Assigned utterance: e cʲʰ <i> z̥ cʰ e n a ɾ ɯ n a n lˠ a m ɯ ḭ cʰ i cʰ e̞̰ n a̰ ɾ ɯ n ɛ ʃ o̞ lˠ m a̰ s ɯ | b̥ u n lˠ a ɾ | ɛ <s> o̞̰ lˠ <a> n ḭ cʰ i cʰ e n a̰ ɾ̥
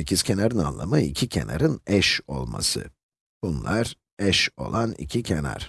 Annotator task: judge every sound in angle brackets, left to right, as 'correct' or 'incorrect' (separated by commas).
correct, incorrect, correct